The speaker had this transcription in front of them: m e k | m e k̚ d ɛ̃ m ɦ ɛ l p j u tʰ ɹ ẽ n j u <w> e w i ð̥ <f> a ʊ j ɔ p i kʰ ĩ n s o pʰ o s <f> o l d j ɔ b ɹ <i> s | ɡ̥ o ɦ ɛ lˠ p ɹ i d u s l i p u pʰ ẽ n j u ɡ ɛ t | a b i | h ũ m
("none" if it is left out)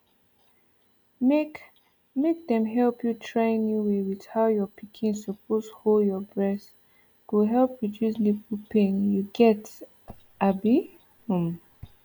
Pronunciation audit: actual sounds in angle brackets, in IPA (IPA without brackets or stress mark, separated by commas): w, h, h, ɛ